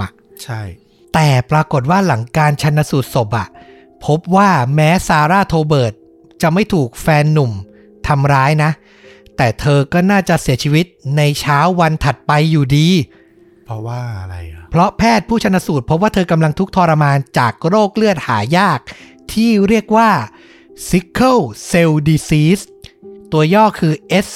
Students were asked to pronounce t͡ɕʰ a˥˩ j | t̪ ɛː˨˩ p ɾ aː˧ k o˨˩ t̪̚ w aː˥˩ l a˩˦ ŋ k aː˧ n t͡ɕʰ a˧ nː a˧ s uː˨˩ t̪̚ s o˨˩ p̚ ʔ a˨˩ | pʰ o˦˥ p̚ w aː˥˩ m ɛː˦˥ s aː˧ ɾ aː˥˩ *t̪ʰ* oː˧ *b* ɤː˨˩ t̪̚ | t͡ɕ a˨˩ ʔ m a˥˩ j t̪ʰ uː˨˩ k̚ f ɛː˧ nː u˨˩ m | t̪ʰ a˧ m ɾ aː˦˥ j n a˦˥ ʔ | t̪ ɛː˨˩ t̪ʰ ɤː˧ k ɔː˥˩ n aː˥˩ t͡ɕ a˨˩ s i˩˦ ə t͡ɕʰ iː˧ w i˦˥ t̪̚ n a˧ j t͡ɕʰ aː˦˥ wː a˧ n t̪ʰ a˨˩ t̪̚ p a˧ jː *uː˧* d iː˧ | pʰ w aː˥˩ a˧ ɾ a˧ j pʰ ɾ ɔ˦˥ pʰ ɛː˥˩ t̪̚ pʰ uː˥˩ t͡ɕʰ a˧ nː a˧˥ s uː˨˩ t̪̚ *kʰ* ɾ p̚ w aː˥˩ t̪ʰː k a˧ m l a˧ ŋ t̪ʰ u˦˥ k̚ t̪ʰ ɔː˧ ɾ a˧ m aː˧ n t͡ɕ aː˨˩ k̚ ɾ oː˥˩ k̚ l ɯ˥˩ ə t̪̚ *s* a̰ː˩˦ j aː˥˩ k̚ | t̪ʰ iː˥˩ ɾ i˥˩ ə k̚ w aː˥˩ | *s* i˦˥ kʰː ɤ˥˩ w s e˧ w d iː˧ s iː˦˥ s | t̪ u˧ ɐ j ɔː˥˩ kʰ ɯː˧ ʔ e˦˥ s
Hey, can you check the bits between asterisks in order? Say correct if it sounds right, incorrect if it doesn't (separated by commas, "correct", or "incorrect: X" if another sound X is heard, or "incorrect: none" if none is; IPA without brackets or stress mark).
correct, correct, incorrect: uː˨˩, incorrect: pʰ, incorrect: h, correct